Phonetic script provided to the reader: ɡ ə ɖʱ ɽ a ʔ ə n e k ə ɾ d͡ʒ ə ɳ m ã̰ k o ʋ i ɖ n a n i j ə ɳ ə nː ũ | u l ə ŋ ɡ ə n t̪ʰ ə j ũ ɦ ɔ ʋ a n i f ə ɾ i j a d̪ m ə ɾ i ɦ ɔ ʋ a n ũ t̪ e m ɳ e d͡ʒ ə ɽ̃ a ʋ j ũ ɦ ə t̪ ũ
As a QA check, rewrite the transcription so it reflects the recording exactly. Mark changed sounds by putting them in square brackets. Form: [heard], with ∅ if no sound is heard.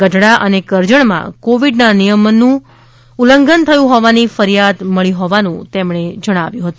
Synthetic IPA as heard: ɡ ə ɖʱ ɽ a ʔ ə n e k ə ɾ d͡ʒ ə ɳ m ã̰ k o ʋ i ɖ n a n i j ə [m] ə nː ũ | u l ə ŋ ɡ ə n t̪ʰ ə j ũ ɦ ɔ ʋ a n i f ə ɾ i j a d̪ m ə [ɭ] i ɦ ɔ ʋ a n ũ t̪ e m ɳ e d͡ʒ ə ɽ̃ a ʋ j ũ ɦ ə t̪ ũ